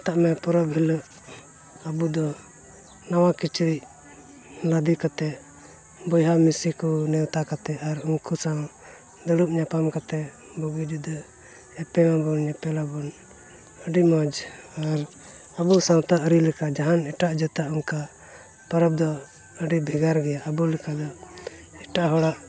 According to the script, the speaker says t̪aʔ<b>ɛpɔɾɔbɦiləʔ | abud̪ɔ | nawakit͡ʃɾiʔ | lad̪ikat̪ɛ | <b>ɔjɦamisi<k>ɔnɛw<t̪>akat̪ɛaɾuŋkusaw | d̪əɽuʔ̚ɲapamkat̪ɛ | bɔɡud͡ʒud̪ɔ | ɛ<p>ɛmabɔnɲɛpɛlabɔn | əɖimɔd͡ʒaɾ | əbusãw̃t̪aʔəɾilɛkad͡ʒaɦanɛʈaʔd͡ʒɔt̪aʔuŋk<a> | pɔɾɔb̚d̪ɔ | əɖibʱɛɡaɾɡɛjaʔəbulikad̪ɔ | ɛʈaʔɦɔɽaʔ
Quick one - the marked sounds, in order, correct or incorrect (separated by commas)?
incorrect, correct, correct, correct, correct, correct